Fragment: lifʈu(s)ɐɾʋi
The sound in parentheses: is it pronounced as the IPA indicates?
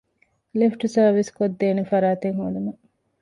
yes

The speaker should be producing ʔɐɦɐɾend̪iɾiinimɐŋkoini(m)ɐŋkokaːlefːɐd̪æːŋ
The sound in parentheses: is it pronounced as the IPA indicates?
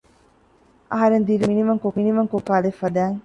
yes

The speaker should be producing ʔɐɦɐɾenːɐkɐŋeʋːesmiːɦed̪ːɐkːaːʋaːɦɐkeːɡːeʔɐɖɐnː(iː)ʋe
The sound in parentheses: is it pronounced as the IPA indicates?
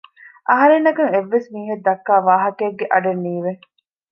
yes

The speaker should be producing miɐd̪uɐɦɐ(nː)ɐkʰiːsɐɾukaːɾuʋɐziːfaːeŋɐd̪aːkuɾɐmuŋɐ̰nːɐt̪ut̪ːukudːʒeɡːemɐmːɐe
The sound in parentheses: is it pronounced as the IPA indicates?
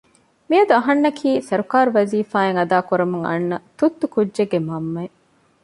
yes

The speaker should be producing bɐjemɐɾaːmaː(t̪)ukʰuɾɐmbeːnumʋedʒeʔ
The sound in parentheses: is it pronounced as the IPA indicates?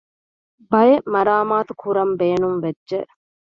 yes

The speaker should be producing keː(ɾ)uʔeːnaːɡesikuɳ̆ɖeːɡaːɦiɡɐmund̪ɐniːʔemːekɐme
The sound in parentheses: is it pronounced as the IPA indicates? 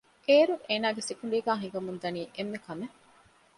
yes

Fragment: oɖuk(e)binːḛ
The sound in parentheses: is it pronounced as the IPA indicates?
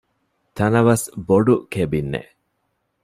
yes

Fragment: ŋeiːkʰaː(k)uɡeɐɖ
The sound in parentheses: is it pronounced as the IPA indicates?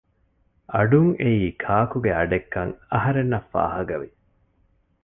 yes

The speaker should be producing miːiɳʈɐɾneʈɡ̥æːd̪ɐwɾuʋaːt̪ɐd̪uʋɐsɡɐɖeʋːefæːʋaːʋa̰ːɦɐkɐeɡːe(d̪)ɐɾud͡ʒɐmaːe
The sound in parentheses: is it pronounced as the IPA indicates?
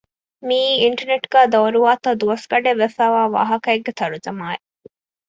no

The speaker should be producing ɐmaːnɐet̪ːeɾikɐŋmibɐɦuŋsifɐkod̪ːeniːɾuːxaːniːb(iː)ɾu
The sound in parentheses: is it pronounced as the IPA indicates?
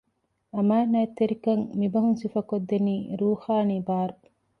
no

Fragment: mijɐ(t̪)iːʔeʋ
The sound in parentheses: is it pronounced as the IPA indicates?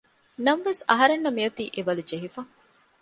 yes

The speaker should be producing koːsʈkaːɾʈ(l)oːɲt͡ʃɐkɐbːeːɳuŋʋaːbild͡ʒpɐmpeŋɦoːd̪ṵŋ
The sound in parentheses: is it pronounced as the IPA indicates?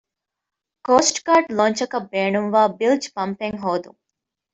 yes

